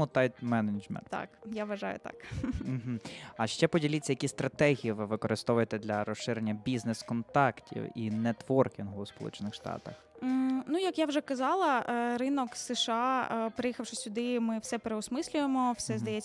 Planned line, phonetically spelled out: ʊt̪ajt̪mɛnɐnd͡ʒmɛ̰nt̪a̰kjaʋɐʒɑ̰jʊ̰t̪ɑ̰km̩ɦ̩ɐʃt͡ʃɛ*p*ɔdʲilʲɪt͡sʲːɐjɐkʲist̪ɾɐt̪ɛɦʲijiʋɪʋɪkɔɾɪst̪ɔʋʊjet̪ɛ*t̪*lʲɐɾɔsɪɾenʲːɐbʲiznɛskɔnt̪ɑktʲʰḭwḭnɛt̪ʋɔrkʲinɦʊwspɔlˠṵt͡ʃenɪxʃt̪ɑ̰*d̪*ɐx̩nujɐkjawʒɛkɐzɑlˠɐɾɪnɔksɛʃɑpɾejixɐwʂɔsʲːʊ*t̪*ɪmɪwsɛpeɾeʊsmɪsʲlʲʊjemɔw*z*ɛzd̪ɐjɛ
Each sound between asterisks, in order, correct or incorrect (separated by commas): correct, incorrect, incorrect, incorrect, incorrect